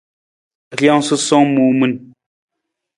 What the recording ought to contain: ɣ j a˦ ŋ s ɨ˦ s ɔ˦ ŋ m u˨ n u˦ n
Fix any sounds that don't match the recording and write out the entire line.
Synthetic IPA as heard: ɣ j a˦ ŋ s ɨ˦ s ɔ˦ ŋ m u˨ m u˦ n